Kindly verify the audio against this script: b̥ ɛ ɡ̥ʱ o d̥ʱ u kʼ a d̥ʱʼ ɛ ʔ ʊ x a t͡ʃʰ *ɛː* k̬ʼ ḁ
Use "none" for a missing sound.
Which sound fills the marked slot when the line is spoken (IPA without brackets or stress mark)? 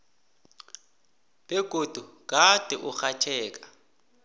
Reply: ɛː